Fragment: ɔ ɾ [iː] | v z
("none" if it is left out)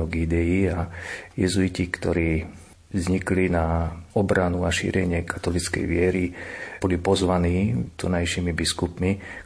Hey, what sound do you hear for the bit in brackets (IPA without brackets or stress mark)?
iː